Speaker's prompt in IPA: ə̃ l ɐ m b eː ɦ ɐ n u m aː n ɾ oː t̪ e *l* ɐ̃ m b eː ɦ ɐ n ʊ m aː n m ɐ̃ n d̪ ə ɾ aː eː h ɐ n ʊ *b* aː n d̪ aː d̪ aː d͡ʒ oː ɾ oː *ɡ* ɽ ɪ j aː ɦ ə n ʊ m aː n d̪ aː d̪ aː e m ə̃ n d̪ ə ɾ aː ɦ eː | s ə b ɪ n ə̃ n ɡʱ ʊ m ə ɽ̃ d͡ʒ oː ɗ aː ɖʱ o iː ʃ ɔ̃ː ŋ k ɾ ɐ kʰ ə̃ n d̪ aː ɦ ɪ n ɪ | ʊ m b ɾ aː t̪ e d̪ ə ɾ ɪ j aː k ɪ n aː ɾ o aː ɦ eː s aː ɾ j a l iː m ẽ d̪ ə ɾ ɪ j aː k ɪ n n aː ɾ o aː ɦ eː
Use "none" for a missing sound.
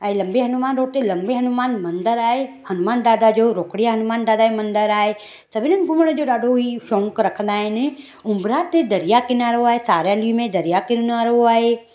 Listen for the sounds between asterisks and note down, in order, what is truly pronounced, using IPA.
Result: l, m, k

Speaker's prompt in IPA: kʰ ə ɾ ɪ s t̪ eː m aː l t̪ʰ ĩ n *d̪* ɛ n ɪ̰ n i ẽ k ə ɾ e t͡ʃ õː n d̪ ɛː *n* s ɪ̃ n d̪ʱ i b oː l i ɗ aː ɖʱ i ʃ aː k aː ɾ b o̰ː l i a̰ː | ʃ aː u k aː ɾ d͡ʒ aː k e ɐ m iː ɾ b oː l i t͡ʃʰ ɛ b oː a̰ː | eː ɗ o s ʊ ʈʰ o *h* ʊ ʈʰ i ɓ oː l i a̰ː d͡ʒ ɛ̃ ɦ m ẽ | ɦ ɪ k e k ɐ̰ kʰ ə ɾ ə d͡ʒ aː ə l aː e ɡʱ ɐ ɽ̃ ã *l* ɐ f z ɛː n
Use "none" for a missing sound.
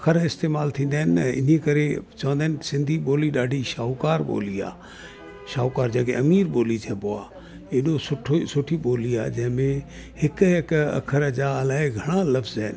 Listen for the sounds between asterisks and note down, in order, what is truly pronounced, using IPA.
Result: d̪, n, s, l

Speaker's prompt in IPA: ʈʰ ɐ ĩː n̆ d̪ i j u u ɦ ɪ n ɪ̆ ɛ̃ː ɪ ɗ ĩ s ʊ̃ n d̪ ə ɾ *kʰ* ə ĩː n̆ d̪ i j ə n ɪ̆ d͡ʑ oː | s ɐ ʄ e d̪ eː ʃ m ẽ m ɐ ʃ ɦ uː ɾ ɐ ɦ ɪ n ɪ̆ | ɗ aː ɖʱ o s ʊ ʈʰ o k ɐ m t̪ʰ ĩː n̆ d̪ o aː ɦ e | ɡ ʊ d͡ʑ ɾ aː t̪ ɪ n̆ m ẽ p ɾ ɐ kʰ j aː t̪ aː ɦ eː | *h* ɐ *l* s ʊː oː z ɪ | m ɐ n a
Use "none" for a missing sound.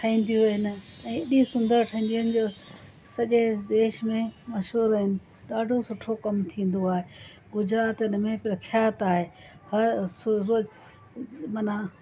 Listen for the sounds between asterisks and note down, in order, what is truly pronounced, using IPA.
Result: ʈʰ, h, ɾ

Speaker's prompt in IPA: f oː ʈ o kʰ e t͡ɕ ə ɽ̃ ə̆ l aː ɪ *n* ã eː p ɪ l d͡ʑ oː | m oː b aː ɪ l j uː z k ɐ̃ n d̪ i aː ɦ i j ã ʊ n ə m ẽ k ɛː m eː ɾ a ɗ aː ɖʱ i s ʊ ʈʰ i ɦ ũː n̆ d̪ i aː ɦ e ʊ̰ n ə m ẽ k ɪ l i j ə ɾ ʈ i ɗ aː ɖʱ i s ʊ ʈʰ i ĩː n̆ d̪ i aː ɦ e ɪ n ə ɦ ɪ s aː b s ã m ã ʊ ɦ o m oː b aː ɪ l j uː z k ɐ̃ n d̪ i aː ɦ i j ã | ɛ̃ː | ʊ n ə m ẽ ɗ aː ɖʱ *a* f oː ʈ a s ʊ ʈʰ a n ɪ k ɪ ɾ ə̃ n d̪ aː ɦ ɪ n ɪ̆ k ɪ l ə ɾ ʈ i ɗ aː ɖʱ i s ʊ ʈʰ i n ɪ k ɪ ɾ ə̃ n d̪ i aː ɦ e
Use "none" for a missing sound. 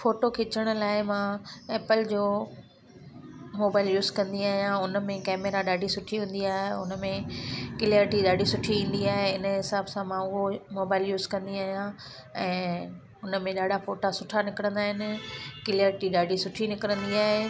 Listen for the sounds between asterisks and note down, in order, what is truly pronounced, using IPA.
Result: m, a

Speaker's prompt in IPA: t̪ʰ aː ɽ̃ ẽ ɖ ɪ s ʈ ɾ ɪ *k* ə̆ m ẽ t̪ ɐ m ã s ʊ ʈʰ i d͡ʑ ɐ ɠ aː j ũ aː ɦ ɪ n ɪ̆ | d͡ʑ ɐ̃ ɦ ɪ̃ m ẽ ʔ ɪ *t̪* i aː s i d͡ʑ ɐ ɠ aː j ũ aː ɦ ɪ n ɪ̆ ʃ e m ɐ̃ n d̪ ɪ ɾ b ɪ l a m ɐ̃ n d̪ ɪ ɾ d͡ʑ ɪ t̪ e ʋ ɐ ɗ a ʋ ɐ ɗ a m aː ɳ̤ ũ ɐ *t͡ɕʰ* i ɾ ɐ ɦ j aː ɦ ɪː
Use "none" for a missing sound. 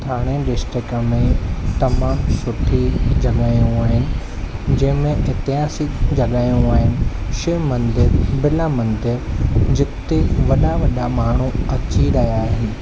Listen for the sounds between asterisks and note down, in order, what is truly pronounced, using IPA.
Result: k, t̪, t͡ɕ

